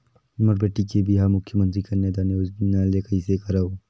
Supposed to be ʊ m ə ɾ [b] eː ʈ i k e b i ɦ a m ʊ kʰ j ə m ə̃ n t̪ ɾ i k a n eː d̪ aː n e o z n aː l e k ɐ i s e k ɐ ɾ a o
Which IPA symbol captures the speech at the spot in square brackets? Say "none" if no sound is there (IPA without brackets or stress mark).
b